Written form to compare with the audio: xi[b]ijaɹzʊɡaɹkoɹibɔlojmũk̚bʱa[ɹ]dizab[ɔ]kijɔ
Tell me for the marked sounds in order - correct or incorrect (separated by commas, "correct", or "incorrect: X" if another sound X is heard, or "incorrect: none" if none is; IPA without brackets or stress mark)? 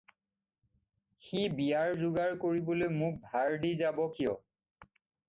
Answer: correct, correct, correct